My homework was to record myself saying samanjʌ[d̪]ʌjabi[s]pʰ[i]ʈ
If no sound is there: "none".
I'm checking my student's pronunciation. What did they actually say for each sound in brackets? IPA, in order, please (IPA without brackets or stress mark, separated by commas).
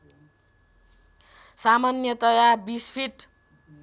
t̪, s, i